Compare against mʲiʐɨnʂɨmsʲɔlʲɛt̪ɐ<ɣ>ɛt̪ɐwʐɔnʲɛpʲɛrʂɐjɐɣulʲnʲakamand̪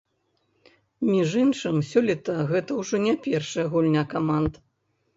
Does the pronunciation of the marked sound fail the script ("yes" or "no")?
no